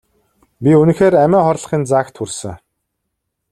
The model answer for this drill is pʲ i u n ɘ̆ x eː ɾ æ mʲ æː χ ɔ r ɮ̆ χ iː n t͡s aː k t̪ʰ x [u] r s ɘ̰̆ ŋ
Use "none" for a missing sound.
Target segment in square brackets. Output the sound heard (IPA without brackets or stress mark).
u